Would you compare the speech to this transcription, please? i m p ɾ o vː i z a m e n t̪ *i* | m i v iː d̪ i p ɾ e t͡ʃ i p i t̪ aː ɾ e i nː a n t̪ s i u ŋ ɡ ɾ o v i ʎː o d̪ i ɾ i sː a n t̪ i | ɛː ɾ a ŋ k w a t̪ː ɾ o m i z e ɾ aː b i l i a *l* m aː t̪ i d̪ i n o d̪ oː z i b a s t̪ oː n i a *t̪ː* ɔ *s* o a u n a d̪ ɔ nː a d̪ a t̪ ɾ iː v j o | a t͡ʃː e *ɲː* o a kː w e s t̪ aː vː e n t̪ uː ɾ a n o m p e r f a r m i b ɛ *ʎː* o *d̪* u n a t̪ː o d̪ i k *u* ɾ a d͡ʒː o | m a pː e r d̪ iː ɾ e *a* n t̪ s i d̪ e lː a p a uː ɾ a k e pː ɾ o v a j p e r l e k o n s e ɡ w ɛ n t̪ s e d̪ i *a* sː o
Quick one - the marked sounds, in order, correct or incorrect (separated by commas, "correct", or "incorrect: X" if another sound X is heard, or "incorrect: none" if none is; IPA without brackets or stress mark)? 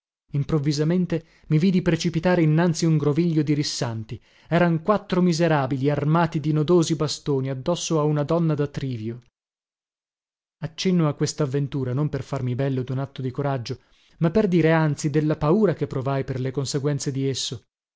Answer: incorrect: e, incorrect: r, incorrect: d̪ː, incorrect: sː, incorrect: nː, incorrect: lː, correct, incorrect: o, correct, incorrect: e